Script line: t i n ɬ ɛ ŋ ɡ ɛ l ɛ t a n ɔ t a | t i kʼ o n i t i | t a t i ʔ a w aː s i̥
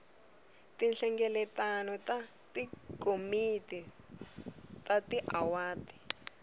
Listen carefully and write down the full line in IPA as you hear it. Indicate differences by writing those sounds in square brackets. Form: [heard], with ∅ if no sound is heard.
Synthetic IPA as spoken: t i n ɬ ɛ ŋ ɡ ɛ l ɛ t a n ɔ t a | t i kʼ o [m] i t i | t a t i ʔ a w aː [t] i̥